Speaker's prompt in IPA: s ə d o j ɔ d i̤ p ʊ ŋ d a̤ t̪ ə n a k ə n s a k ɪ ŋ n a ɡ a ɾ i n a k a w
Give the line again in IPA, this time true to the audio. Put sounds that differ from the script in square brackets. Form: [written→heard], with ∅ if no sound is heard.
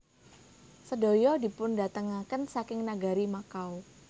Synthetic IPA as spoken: s ə d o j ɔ d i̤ p ʊ [ŋ→n] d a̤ t̪ ə [n→ŋ] a k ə n s a k ɪ ŋ n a ɡ a ɾ i [n→m] a k a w